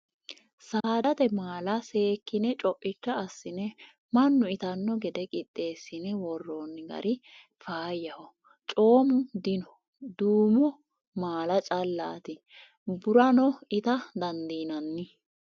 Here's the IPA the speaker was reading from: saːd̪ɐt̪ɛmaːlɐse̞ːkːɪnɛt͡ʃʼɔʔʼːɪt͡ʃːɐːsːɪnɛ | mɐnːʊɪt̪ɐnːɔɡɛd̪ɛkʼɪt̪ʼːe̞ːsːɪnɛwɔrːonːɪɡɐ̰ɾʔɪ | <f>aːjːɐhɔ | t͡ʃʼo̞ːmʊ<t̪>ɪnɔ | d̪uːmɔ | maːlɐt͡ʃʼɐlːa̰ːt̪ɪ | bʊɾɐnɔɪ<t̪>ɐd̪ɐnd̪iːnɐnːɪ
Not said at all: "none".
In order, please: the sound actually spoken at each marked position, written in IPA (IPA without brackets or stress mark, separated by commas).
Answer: f, d̪, t̪